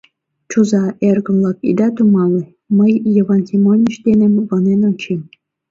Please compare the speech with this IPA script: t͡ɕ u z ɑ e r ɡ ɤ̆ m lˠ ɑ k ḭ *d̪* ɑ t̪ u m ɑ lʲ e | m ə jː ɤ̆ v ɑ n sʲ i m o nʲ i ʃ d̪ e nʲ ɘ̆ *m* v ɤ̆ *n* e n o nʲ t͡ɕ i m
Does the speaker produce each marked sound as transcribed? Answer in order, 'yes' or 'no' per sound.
yes, yes, yes

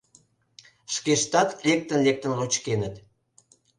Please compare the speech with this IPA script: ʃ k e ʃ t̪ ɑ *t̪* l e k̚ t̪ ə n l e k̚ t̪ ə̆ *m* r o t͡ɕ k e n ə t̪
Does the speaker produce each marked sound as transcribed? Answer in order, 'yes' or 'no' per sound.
yes, no

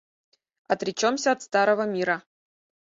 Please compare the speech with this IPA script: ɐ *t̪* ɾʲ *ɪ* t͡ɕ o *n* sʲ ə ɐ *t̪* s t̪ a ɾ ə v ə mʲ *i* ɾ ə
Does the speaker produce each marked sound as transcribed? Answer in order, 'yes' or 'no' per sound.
yes, yes, no, yes, yes

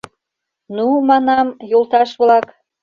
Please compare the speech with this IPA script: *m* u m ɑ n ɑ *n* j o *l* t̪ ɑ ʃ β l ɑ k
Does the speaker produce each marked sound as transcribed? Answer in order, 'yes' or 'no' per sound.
no, no, yes

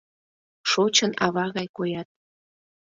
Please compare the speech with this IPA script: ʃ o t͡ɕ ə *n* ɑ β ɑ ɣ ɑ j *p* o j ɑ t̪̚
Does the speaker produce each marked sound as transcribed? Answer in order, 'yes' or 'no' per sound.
yes, no

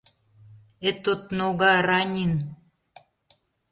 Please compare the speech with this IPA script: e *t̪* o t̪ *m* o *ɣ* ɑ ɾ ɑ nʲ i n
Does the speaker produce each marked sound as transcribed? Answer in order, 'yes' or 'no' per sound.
yes, no, yes

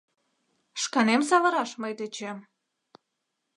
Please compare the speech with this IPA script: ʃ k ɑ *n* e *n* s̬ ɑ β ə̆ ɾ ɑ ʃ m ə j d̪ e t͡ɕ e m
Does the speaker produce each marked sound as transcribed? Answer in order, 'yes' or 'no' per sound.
yes, no

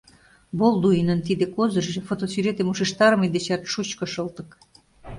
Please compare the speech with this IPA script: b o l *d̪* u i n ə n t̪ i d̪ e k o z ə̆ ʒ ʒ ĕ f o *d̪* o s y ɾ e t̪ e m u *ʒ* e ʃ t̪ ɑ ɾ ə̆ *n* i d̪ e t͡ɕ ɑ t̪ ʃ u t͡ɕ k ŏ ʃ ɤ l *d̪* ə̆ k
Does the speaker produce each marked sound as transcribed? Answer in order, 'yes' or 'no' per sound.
yes, no, no, no, no

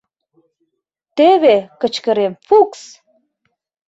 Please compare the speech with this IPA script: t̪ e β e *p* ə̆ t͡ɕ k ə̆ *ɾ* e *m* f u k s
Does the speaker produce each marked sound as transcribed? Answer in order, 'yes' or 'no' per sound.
no, yes, yes

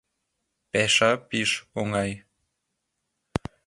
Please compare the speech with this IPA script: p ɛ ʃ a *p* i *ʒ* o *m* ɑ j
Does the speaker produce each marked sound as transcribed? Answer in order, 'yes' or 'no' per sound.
yes, no, no

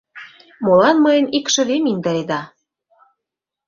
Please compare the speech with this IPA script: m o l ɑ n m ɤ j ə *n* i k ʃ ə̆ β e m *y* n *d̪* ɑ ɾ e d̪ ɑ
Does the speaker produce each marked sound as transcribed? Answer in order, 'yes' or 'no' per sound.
yes, no, yes

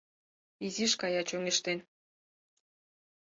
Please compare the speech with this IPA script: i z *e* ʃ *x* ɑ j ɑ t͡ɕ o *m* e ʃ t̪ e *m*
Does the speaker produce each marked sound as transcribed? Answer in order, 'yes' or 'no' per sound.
no, no, no, no

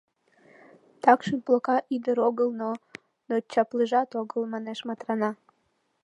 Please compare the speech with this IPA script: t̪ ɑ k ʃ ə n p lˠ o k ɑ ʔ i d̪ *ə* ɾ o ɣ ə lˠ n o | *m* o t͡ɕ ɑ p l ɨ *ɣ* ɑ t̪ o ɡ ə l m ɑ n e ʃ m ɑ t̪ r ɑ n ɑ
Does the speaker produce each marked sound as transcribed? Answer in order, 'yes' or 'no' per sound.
yes, no, no

